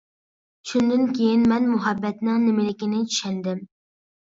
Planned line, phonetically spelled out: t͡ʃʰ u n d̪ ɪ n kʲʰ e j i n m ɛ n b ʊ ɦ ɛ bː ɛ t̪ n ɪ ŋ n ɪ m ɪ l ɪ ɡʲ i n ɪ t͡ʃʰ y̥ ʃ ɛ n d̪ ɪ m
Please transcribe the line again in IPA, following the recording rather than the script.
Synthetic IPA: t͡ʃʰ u n d̪ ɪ n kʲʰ e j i n m ɛ n m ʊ ɦ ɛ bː ɛ t̪ n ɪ ŋ n ɪ m ɪ l ɪ kʲ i n ɪ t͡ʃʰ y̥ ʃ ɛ n d̪ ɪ m